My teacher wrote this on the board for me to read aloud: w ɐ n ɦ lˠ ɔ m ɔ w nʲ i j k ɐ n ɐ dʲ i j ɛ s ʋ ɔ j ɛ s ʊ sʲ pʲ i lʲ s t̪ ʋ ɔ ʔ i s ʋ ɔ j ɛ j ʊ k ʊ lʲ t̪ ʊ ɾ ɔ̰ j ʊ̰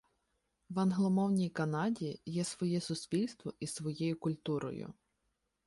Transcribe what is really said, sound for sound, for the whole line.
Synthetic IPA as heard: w ɐ n ɦ lˠ ɔ m ɔ w nʲ i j k ɐ n ɑ dʲ i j ɛ s ʋ ɔ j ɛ s ʊ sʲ pʲ i lʲ s t̪ ʋ ɔ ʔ i s ʋ ɔ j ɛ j ʊ k ʊ lʲ t̪ u ɾ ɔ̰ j ʊ̰

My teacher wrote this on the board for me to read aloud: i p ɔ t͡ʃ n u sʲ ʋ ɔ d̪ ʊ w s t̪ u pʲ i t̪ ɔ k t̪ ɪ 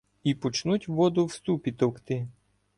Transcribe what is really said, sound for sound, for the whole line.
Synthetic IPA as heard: i p ɔ t͡ʃ n u tʲ ʋ ɔ d̪ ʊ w s t̪ u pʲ i t̪ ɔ k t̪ ɪ

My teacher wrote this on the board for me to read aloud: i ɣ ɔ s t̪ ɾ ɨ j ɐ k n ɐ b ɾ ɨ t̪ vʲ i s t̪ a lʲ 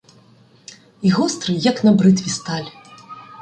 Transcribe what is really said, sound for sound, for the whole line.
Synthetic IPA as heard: i ɣ ɔ s t̪ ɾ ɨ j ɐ k n ɐ b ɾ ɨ t̪ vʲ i s t̪ a lʲ

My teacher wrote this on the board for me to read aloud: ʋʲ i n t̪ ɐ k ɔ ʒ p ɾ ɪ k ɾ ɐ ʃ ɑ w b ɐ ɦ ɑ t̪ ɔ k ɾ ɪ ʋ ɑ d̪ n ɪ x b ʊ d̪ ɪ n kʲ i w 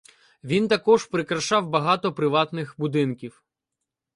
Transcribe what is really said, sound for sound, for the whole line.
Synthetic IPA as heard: ʋʲ i n t̪ ɐ k ɔ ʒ p ɾ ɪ k ɾ ɐ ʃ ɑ w b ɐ ɦ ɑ t̪ ɔ p ɾ ɪ ʋ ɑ t̪ n ɪ x b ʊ d̪ ɪ n kʲ i w

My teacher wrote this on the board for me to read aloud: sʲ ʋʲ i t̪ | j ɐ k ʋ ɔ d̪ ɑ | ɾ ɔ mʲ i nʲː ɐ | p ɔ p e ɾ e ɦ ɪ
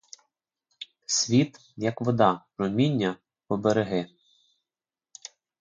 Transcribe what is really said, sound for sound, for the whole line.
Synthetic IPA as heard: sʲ ʋʲ i t̪ | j ɐ k ʋ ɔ d̪ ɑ | ɾ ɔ mʲ i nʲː ɐ | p ɔ b e ɾ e ɦ ɪ

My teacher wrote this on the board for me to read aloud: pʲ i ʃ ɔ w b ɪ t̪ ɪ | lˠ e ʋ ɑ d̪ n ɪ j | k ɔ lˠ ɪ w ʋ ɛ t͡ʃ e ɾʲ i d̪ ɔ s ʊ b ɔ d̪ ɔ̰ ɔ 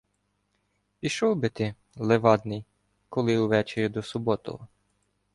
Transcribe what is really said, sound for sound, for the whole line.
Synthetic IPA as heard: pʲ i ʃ ɔ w b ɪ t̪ ɪ | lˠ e ʋ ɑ d̪ n ɪ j | k ɔ lˠ ɪ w ʋ ɛ t͡ʃ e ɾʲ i d̪ ɔ s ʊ b ɔ t̪ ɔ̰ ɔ

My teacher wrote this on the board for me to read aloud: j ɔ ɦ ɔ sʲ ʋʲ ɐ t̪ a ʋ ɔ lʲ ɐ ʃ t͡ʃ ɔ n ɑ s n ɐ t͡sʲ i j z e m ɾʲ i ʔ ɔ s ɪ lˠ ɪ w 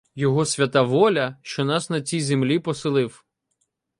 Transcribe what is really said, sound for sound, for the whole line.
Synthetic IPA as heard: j ɔ ɦ ɔ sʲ ʋʲ ɐ t̪ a ʋ ɔ lʲ ɐ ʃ t͡ʃ ɔ n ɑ s n ɐ t͡sʲ i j z e m lʲ i p ɔ s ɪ lˠ ɪ w

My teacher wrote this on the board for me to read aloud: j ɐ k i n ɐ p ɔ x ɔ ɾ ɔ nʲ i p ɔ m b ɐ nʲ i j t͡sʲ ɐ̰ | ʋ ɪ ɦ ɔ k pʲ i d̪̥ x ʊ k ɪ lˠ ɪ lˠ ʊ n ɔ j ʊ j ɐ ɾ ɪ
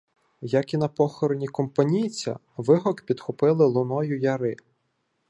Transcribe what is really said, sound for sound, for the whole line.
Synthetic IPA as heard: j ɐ k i n ɐ p ɔ x ɔ ɾ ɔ nʲ i k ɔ m p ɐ nʲ i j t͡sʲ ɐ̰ | ʋ ɪ ɦ ɔ k pʲ i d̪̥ x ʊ p ɪ lˠ ɪ lˠ ʊ n ɔ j ʊ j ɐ ɾ ɪ

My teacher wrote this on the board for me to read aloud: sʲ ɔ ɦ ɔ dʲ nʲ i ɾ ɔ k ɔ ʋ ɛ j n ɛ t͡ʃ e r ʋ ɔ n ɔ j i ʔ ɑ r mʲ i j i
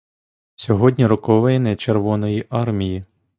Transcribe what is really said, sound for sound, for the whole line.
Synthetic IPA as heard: sʲ ɔ ɦ ɔ dʲ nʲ i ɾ ɔ k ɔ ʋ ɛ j n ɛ t͡ʃ e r ʋ ɔ n ɔ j i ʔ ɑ r mʲ i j i

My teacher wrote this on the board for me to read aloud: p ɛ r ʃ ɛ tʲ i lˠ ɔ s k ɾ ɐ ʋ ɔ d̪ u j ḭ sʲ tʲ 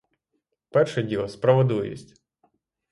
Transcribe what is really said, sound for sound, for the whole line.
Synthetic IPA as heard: p ɛ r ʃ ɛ dʲ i lˠ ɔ s p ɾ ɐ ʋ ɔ d̪ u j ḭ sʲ tʲ

